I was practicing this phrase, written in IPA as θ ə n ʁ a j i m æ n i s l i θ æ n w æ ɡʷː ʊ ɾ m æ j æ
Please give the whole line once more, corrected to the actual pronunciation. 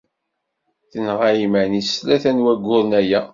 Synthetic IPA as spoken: θ ə n ʁ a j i m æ n i s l æ θ æ n w æ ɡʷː ʊ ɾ n æ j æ